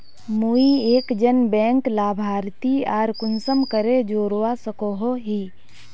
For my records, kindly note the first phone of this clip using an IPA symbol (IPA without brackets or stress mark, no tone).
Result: m